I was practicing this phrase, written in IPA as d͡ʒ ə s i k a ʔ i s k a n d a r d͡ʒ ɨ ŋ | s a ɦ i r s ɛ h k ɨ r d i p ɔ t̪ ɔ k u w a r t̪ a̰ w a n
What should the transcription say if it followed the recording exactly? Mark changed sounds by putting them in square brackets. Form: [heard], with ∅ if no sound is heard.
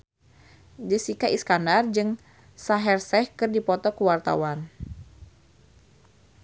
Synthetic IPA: d͡ʒ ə s i k a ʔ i s k a n d a r d͡ʒ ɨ ŋ | s a ɦ [ɛ] r s ɛ h k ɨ r d i p ɔ t̪ ɔ k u w a r t̪ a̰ w a n